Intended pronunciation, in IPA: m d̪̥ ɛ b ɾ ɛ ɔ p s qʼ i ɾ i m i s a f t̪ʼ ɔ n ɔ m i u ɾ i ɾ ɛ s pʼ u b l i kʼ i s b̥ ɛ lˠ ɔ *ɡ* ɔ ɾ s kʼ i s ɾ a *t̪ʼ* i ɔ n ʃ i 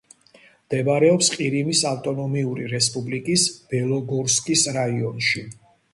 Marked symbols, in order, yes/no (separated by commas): yes, no